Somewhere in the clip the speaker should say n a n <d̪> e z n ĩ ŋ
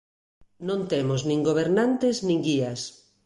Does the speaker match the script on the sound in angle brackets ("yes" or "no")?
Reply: no